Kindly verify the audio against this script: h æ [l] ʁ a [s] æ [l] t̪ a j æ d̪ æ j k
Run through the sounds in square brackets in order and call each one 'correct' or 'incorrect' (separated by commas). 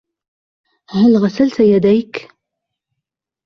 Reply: correct, correct, correct